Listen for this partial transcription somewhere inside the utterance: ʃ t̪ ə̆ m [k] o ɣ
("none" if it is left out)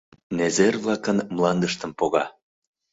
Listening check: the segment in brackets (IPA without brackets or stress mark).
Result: p